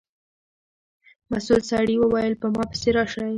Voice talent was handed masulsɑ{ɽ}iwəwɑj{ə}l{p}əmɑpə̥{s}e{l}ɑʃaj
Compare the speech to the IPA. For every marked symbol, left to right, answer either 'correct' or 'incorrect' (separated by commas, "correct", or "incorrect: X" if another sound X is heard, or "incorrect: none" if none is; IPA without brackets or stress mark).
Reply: correct, correct, correct, correct, incorrect: ɾ